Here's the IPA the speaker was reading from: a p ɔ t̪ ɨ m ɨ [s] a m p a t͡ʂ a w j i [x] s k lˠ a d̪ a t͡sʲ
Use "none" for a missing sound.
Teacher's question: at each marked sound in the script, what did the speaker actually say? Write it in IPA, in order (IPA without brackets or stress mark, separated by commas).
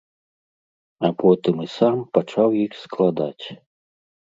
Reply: s, x